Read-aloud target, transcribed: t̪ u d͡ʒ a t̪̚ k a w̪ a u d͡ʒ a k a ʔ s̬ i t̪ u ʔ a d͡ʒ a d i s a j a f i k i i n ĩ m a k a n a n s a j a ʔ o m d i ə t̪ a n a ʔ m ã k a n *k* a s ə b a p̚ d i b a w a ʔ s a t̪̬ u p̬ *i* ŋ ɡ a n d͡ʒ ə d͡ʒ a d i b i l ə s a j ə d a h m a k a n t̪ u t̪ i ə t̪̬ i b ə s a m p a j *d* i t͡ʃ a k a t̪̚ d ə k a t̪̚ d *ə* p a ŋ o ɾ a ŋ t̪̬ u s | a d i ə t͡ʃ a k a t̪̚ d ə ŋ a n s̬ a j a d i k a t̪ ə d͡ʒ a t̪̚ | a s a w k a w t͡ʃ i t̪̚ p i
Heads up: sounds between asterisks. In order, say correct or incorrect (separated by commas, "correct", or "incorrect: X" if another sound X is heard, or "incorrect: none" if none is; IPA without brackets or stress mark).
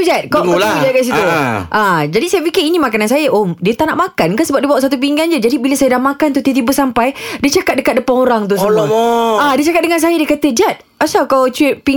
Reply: correct, correct, correct, correct